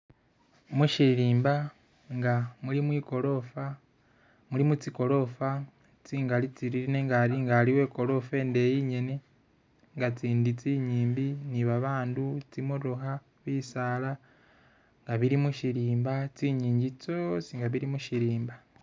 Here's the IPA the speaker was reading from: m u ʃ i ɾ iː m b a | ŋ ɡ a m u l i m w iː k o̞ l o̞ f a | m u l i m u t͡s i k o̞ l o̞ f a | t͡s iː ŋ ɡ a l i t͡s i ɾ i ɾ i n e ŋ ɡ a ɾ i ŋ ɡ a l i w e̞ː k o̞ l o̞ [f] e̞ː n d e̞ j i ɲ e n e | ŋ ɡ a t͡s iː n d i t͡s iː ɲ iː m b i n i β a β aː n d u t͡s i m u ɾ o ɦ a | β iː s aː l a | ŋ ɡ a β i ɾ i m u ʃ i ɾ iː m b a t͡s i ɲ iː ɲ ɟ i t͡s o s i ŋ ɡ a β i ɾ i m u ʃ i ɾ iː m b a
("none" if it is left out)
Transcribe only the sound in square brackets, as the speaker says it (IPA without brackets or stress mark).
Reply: f